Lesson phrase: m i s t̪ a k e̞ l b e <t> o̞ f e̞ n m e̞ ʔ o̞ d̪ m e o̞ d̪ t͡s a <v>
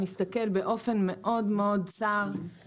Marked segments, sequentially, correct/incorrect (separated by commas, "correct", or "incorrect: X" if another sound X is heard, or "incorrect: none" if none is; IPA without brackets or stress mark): incorrect: ʔ, incorrect: ʁ